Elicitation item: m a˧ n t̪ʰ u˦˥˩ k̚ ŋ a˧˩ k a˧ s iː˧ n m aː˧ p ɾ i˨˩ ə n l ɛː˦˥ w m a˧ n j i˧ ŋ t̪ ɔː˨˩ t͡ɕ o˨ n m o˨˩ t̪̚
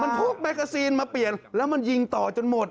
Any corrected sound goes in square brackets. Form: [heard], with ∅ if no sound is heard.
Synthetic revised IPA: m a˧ n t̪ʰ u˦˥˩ k̚ [m] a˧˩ k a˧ s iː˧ n m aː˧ p [l] i˨˩ ə n l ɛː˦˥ w m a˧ n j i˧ ŋ t̪ ɔː˨˩ t͡ɕ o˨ n m o˨˩ t̪̚